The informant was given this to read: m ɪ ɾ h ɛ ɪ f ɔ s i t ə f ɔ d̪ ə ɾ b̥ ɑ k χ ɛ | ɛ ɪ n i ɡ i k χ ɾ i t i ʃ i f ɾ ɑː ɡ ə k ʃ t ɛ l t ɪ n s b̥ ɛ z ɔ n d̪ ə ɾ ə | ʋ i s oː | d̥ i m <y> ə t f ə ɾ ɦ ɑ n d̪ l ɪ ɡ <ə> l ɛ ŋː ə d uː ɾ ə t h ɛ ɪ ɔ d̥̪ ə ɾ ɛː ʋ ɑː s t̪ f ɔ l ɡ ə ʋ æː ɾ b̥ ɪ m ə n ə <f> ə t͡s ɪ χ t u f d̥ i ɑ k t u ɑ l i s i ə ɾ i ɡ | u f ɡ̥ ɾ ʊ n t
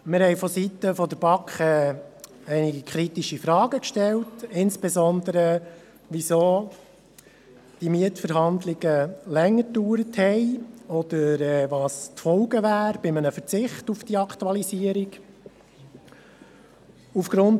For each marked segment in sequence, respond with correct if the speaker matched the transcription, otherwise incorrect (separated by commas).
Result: incorrect, correct, correct